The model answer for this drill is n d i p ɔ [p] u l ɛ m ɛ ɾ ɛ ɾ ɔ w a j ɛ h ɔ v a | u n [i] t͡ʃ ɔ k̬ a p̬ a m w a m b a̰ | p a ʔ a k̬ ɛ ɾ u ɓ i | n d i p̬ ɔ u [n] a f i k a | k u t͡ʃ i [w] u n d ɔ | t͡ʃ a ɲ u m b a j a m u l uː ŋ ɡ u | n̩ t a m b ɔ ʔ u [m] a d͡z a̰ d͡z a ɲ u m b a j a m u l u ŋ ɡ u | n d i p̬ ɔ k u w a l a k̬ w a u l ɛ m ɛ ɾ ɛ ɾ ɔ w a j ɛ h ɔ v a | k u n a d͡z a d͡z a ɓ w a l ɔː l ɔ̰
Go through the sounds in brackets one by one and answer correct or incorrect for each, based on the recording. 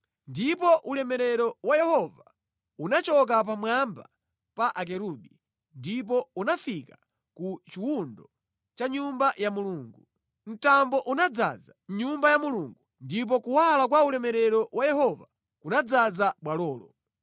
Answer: incorrect: ʔ, incorrect: a, correct, correct, incorrect: n

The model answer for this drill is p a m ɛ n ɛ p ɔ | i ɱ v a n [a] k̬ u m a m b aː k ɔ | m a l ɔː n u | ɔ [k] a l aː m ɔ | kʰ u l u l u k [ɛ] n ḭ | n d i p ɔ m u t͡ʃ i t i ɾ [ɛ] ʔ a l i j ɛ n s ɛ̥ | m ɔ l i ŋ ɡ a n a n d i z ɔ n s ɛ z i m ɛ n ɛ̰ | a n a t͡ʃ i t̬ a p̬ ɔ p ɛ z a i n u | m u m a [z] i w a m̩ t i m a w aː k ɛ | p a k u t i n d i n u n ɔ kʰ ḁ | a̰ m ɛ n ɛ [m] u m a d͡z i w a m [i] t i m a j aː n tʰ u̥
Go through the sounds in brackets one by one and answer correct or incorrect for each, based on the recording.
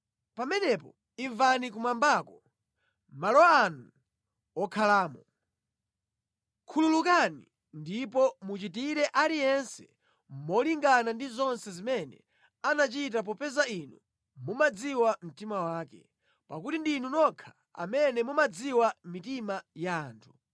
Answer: incorrect: i, incorrect: kʰ, incorrect: a, correct, incorrect: d͡z, correct, correct

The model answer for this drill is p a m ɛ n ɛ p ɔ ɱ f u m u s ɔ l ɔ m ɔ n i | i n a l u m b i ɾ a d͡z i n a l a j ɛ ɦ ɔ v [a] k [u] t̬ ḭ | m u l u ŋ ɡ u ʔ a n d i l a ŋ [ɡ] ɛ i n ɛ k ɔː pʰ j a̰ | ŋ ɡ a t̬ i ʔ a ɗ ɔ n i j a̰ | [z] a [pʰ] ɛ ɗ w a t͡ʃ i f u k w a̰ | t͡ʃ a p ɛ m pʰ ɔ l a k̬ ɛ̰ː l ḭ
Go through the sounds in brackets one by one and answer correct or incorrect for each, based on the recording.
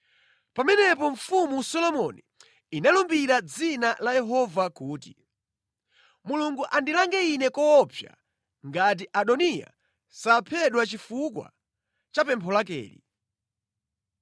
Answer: correct, incorrect: uː, correct, incorrect: s, correct

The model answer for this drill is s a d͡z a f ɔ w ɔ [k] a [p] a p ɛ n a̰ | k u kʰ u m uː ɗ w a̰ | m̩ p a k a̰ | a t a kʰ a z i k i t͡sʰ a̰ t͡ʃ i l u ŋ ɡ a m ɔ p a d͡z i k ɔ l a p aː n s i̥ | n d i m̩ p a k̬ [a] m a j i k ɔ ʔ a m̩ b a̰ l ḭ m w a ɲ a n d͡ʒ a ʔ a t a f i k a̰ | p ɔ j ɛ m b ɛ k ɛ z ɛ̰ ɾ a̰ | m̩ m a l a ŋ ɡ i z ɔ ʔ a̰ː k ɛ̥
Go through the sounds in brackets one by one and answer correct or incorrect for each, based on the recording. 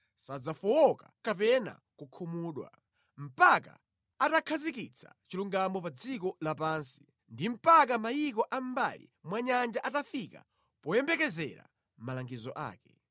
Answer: correct, incorrect: k, correct

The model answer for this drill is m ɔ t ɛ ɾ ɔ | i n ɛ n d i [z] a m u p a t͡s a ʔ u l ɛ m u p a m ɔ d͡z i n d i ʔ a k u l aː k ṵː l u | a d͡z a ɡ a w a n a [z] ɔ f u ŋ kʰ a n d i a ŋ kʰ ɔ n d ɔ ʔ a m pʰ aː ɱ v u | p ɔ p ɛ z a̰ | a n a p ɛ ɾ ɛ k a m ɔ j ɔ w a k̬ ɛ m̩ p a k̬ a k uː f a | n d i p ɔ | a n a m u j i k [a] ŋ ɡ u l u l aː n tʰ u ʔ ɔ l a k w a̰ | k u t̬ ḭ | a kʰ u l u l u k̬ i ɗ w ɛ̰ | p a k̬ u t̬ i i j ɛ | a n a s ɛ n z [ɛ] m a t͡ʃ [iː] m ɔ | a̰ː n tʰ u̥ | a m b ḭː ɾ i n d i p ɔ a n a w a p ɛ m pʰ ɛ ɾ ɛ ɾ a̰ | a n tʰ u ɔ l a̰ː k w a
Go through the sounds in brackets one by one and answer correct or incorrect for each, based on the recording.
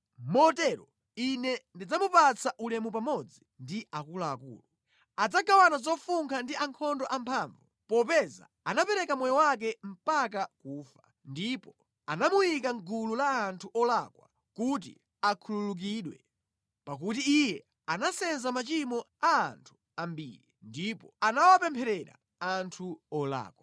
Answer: incorrect: d͡z, correct, correct, incorrect: a, incorrect: i

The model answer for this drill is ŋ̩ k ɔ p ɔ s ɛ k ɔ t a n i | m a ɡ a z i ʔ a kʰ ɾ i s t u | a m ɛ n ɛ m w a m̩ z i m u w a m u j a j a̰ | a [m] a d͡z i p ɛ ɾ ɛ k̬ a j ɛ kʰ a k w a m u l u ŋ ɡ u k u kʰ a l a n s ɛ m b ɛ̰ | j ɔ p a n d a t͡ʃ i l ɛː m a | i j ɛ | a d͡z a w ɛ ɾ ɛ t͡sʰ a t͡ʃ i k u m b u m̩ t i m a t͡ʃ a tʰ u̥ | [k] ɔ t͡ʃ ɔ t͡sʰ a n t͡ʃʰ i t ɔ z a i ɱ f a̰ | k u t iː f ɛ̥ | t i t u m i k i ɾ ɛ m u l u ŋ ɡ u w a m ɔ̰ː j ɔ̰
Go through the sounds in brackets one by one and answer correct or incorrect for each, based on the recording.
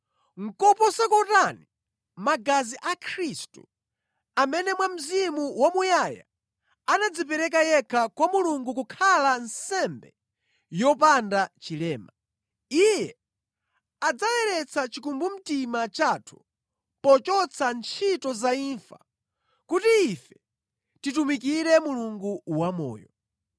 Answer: incorrect: n, incorrect: p

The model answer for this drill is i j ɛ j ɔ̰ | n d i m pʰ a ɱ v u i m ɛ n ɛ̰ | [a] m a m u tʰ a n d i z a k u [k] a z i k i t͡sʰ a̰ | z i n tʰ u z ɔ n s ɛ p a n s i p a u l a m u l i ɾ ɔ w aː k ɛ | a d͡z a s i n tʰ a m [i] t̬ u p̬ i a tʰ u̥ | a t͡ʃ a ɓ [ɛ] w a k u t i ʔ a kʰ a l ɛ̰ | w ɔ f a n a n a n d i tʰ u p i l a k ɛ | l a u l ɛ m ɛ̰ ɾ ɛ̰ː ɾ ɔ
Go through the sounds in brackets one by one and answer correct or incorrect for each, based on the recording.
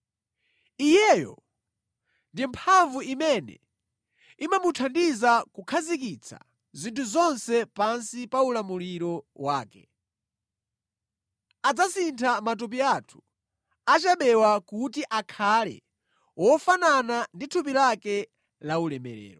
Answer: incorrect: i, incorrect: kʰ, incorrect: a, correct

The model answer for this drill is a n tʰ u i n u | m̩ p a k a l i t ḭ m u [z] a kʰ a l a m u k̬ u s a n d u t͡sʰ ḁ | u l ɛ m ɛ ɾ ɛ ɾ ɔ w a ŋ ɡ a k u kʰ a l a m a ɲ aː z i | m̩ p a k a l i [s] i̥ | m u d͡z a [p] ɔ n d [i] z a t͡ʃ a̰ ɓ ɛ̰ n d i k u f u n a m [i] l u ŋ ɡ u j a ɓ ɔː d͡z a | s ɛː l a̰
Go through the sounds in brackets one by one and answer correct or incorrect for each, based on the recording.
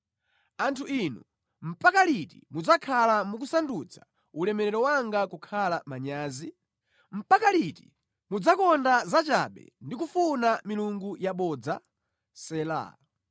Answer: incorrect: d͡z, incorrect: t, incorrect: k, incorrect: a, correct

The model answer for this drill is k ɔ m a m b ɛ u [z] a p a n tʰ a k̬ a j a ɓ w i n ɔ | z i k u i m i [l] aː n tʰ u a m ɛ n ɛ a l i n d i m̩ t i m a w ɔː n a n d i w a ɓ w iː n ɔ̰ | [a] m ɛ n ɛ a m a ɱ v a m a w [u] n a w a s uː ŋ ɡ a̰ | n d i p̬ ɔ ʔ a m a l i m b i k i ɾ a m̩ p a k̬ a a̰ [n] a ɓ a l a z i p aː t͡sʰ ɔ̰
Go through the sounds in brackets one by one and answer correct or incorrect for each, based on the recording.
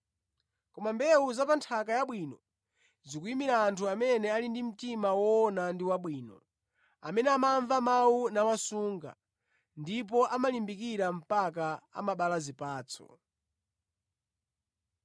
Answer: correct, incorrect: ɾ, correct, correct, incorrect: m

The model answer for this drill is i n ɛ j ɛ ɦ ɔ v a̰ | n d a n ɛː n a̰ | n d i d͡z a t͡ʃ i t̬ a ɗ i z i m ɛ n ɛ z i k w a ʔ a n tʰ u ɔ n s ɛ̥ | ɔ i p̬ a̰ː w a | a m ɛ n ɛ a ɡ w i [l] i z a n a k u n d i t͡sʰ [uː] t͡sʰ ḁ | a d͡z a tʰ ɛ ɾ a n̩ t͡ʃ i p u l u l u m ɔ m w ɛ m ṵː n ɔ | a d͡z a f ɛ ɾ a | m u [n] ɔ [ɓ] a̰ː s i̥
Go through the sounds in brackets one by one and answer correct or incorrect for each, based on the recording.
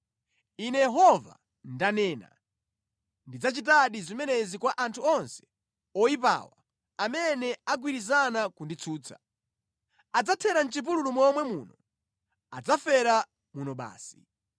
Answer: incorrect: ɾ, correct, correct, correct

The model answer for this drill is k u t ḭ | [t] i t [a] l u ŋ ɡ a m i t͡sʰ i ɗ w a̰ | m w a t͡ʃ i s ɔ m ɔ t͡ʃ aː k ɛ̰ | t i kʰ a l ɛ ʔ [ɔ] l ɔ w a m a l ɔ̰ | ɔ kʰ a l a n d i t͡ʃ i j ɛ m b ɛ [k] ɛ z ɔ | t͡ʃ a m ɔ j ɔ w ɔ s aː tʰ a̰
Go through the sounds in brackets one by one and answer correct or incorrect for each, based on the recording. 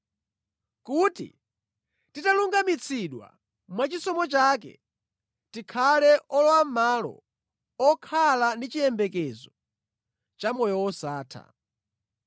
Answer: correct, correct, correct, correct

